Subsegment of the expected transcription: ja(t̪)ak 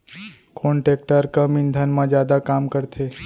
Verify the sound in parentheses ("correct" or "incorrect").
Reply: incorrect